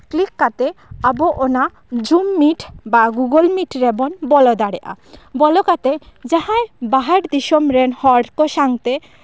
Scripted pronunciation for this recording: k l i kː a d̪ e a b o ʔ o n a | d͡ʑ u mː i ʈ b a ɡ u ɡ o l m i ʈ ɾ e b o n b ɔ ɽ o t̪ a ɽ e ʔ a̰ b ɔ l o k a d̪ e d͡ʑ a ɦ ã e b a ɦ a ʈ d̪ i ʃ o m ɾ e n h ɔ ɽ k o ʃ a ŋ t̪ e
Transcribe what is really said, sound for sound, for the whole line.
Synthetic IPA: k l i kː a t̪ e a b o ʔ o n a | d͡ʑ u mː i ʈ b a ɡ u ɡ o l m i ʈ ɾ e b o n b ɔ l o d̪ a ɽ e ʔ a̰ b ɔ l o k a t̪ e d͡ʑ a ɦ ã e b a ɦ a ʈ d̪ i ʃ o m ɾ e n h ɔ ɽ k o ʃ a ŋ t̪ e